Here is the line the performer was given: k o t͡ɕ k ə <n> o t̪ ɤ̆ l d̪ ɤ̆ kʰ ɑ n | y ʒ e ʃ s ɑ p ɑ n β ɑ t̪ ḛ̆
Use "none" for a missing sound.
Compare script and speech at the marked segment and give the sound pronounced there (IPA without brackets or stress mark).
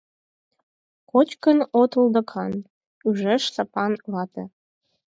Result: n